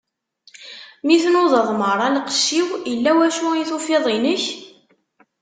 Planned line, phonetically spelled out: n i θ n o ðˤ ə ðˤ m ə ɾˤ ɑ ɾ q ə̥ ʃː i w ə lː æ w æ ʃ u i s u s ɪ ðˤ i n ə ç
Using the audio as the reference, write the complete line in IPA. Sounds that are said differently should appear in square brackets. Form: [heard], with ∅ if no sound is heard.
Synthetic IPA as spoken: [m] i θ n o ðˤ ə ðˤ m ə ɾˤ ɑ [l] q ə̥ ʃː i w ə lː æ w æ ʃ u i [θ] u [f] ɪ ðˤ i n ə ç